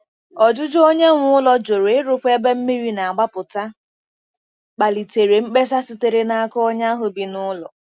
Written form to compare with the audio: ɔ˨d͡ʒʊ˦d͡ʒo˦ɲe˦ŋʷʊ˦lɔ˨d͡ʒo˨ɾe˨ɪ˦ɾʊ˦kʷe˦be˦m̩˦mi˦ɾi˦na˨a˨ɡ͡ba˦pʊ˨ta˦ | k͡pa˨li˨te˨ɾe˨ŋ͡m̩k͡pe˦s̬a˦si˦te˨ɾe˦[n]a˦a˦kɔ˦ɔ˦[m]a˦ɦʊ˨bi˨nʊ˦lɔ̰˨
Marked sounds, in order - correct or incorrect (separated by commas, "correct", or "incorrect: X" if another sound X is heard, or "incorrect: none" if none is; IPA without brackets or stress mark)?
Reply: correct, incorrect: ɲ